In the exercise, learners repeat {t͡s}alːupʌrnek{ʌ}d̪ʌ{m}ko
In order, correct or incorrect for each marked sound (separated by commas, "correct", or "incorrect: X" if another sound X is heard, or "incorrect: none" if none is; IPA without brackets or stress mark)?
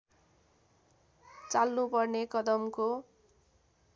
correct, correct, correct